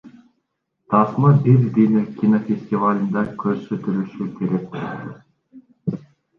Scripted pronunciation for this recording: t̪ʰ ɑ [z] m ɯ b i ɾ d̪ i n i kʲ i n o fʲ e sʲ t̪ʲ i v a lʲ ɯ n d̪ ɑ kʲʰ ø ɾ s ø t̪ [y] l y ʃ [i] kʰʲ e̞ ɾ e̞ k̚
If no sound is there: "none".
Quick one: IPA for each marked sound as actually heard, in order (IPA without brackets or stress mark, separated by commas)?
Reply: s, y, y